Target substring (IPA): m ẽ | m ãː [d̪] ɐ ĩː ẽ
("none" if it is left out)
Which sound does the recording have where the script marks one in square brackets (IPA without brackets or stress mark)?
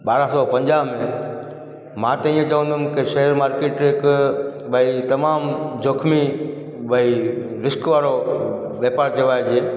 t̪